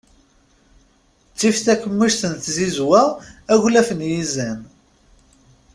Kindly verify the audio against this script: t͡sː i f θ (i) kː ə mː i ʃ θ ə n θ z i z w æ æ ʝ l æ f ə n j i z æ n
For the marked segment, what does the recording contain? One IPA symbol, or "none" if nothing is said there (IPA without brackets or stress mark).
æ